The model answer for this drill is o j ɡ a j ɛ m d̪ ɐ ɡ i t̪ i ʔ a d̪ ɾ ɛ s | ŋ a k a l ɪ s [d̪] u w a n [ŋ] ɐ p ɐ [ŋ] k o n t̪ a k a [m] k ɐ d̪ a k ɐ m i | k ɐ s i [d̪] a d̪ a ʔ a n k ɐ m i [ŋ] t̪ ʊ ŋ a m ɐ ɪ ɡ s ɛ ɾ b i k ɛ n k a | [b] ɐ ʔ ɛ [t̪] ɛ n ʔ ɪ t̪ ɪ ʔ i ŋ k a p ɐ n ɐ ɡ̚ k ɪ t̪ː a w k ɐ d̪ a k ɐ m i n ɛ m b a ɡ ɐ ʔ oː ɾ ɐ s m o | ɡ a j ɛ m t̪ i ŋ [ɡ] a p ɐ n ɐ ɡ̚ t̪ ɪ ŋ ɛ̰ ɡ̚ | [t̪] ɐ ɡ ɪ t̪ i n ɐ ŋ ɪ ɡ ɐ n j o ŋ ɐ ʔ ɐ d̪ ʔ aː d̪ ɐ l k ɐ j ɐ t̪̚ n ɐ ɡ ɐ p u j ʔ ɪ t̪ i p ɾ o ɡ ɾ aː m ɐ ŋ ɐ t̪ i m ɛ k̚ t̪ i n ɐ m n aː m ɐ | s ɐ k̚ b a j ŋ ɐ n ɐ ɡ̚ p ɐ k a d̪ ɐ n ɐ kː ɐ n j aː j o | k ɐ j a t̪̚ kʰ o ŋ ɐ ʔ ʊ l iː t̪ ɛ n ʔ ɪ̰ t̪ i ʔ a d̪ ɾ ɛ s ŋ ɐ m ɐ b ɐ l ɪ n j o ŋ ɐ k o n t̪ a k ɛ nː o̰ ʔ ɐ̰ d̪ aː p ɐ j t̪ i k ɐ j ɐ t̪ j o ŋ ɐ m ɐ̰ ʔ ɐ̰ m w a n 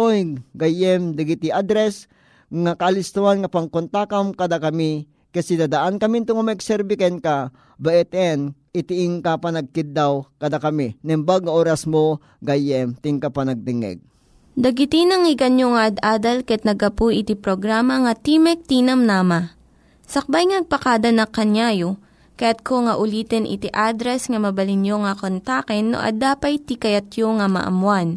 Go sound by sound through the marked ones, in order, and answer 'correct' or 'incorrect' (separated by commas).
incorrect, correct, correct, correct, correct, incorrect, correct, correct, incorrect, incorrect